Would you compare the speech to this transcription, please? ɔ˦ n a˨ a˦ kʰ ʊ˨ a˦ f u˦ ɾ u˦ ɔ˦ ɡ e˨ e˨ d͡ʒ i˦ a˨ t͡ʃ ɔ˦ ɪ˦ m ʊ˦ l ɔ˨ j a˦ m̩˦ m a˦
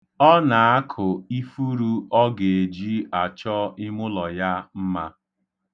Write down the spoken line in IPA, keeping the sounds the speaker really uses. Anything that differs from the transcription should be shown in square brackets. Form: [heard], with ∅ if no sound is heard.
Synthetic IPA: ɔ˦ n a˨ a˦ kʰ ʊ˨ [i˦] f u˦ ɾ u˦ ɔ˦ ɡ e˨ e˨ d͡ʒ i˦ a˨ t͡ʃ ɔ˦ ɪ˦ m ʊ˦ l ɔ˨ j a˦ m̩˦ m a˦